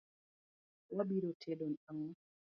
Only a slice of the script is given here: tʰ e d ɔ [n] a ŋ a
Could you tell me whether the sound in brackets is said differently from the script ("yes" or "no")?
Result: no